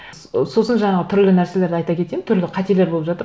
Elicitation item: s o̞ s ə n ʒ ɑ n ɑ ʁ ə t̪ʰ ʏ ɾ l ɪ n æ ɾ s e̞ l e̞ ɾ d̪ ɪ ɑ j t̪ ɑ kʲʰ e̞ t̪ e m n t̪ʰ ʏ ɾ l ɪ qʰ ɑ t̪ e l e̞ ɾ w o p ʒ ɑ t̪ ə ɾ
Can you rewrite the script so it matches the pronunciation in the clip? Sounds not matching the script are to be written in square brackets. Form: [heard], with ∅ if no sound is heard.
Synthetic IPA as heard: s o̞ s ə n ʒ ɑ [ɴ] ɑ ʁ ə t̪ʰ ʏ ɾ l ɪ n æ ɾ s e̞ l e̞ ɾ d̪ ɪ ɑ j t̪ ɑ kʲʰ e̞ t̪ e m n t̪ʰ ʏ ɾ l ɪ qʰ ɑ t̪ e l e̞ ɾ [b] o p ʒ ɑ t̪ ə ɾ